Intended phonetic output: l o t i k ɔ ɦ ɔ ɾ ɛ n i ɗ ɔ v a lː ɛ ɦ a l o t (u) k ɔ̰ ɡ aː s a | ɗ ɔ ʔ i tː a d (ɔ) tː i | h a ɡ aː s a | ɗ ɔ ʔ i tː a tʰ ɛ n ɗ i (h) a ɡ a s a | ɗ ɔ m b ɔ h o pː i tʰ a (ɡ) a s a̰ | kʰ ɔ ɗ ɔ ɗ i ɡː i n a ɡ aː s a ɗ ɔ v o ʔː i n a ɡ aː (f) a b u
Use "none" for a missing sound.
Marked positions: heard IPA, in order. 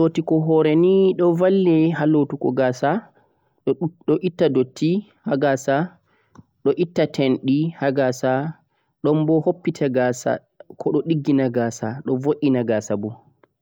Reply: u, o, h, ɡ, s

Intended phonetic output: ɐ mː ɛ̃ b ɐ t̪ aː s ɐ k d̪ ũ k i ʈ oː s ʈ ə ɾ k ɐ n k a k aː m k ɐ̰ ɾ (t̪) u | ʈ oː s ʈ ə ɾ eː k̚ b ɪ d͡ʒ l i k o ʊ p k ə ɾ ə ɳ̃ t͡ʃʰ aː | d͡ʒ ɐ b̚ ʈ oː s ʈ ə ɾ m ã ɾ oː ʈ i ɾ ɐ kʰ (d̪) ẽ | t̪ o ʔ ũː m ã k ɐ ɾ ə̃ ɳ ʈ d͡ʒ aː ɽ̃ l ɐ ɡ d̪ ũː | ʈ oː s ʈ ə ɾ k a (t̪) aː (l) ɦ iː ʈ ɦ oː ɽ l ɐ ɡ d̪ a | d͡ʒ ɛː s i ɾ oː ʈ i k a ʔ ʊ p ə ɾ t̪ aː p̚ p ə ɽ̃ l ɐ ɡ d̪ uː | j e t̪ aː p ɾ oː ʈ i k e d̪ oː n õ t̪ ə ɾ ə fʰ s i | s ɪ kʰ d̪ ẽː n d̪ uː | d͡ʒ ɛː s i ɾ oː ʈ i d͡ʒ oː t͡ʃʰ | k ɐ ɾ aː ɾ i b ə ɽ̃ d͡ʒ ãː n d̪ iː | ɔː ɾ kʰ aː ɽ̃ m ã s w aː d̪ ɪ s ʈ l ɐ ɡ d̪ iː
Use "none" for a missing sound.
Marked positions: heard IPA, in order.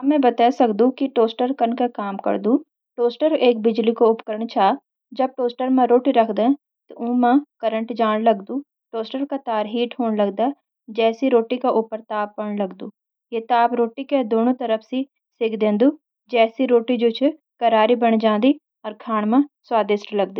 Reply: d̪, d̪, t̪, ɾ

